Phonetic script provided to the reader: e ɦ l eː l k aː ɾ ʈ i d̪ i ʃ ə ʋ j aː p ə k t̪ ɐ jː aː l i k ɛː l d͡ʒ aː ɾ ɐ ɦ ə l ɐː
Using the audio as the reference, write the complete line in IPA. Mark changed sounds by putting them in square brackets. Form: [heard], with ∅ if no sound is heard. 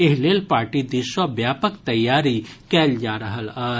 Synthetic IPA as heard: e ɦ l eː l [p] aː ɾ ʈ i d̪ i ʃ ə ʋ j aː p ə k t̪ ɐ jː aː [ɾ] i k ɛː l d͡ʒ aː ɾ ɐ ɦ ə l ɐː